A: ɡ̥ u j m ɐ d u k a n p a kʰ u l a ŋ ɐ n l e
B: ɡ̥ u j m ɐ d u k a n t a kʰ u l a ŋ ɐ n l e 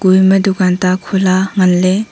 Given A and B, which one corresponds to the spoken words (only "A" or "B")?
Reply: B